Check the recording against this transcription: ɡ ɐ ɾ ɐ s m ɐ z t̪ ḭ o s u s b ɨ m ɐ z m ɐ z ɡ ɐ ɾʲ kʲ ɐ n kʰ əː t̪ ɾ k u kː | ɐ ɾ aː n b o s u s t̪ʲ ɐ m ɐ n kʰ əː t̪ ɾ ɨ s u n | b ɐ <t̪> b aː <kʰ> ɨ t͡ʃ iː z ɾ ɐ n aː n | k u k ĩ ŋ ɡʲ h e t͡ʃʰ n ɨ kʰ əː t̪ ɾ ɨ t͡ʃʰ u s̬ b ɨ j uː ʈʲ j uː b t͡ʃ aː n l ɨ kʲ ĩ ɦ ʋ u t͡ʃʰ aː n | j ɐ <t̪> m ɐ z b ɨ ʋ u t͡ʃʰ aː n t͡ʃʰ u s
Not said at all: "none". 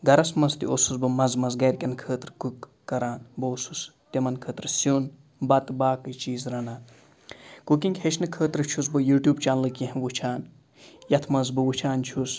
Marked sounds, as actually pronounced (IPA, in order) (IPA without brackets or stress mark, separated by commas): t̪, k, t̪ʰ